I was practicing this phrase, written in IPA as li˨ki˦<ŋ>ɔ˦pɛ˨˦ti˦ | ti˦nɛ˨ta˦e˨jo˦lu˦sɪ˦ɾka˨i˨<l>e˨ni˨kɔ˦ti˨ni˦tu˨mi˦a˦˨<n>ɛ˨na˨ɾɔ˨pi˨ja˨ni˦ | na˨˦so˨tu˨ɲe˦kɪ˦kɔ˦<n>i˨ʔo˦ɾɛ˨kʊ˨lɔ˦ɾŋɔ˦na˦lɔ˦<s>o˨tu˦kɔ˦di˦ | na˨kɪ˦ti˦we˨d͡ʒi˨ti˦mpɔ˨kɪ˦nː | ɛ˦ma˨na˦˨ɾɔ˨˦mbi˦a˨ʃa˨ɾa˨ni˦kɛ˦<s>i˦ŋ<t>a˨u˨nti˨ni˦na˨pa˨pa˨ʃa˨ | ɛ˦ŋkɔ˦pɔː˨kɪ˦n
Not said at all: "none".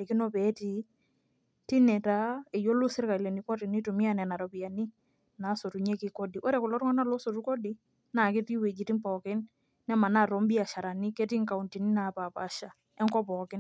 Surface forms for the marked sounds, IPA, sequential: n, l, n, d, s, t, k

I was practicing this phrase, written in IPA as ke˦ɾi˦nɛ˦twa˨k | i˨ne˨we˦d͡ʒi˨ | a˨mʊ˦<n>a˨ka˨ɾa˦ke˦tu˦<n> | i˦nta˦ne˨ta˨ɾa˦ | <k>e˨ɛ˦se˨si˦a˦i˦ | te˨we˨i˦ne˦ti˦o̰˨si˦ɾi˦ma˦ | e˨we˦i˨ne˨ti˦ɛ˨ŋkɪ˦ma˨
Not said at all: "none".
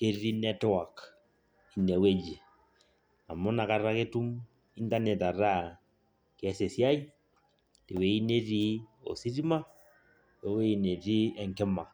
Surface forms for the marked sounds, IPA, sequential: n, m, k

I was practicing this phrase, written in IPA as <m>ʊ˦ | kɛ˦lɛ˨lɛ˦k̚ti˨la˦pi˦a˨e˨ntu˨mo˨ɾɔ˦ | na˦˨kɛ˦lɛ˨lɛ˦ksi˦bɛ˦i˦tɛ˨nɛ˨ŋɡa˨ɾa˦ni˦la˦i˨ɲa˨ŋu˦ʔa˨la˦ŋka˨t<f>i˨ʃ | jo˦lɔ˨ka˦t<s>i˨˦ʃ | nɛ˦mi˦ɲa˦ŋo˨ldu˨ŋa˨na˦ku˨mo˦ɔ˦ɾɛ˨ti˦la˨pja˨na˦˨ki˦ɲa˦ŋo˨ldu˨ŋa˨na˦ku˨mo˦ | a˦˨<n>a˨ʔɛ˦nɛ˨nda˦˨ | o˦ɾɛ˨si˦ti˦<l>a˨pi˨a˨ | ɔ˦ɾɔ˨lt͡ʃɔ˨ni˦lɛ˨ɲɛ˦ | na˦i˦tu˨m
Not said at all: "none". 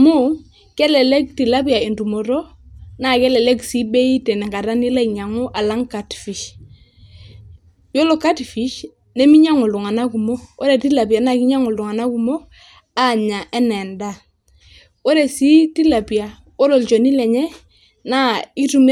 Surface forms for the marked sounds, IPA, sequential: m, f, f, ɲ, l

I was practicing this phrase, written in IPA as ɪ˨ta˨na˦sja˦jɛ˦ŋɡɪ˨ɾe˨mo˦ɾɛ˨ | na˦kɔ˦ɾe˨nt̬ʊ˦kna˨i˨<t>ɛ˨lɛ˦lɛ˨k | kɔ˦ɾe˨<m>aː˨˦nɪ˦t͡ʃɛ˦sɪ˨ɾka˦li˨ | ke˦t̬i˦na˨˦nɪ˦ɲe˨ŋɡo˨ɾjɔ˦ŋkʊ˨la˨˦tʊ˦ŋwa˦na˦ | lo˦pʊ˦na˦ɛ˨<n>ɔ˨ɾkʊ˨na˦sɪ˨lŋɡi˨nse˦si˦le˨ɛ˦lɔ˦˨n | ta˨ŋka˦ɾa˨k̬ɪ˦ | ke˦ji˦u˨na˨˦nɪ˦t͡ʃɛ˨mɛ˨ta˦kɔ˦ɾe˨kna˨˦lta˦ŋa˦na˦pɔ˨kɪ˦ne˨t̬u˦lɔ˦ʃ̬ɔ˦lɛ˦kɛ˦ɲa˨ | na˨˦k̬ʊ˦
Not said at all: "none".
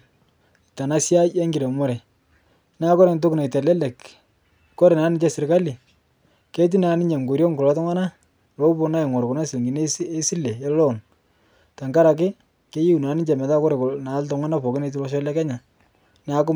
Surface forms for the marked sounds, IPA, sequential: t, n, ŋ

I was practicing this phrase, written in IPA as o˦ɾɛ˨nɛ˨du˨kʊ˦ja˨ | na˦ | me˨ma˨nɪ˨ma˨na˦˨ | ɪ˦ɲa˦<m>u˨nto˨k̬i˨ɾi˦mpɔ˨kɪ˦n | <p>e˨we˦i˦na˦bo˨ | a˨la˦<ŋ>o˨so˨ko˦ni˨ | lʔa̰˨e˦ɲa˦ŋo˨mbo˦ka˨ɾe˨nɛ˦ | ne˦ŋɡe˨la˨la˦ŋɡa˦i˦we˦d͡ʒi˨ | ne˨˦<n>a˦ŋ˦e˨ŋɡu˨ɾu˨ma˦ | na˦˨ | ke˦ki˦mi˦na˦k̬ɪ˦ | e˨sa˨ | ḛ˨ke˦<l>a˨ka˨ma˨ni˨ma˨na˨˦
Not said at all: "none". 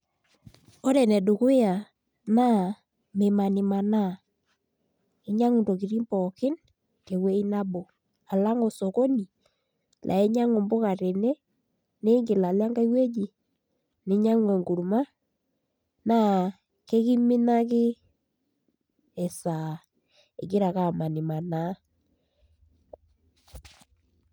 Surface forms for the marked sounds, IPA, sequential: ŋ, k, ŋ, ɲ, ɾ

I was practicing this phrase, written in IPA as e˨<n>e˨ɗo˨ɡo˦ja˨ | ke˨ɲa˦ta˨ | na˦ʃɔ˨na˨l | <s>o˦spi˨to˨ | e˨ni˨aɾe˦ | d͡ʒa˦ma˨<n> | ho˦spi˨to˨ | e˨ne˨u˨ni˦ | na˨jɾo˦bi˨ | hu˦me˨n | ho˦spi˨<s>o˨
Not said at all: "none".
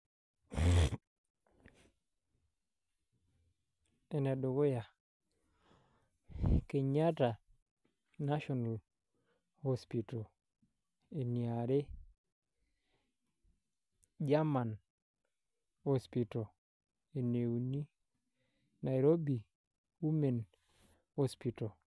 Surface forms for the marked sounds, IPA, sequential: n, h, n, t

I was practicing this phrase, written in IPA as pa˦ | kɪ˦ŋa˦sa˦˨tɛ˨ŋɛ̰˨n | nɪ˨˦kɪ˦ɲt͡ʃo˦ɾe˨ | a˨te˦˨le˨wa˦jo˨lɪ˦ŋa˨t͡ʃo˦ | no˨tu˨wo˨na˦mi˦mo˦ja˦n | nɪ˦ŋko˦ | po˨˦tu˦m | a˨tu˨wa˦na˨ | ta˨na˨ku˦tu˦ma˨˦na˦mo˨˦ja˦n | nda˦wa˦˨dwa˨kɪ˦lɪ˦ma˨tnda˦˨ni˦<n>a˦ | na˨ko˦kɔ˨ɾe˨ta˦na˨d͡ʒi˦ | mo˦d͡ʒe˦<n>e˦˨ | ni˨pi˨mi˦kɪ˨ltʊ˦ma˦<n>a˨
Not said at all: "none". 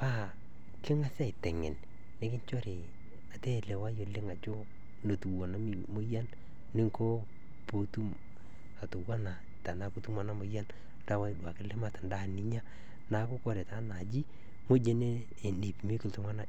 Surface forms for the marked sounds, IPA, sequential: ɲ, n, n

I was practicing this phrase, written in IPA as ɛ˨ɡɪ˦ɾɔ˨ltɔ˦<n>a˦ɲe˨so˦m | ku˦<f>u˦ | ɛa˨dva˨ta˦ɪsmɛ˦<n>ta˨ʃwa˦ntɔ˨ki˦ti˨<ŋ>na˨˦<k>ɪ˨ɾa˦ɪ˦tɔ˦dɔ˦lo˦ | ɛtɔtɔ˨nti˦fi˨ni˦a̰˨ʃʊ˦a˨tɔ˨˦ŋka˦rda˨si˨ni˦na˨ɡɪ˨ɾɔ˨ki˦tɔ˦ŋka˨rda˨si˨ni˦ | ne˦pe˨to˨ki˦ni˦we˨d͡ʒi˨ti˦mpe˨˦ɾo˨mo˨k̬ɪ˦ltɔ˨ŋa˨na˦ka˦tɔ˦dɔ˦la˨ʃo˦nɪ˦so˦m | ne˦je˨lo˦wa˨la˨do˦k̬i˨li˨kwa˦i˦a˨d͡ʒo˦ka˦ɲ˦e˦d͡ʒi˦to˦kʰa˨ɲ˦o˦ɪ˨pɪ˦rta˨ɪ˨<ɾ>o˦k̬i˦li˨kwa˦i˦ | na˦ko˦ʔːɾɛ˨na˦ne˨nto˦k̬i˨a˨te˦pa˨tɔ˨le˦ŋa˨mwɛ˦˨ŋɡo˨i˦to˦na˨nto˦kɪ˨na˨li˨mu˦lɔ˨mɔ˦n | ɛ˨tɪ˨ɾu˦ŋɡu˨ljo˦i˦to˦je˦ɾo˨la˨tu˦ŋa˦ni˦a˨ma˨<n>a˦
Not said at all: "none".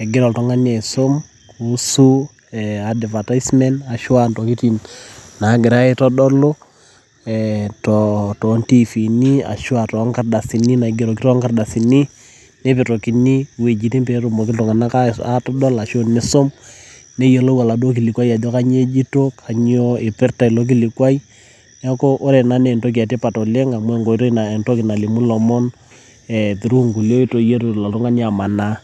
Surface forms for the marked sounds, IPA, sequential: ŋ, s, n, n, ɡ, l, n

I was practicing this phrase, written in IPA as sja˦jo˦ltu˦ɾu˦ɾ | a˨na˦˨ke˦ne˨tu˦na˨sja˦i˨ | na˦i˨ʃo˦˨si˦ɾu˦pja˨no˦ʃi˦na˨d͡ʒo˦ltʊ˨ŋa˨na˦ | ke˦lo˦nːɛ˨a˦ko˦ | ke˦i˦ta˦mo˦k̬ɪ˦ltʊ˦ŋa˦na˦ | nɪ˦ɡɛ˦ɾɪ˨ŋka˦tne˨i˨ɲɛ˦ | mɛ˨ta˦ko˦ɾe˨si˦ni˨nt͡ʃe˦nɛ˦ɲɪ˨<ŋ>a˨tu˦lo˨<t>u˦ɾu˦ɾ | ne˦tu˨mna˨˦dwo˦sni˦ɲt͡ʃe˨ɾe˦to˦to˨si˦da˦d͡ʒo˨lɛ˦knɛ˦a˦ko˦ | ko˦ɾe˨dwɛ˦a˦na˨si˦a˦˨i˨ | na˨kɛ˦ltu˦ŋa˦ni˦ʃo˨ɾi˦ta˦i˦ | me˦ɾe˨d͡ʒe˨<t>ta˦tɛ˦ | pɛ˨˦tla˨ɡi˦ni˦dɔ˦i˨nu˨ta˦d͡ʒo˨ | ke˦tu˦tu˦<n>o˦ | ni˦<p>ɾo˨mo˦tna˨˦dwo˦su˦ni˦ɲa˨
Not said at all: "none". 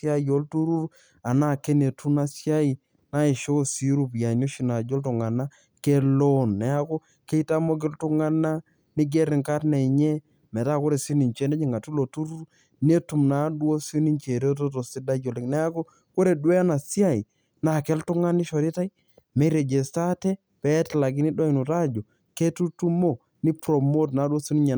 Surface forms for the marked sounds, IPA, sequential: ŋ, t, s, m, p

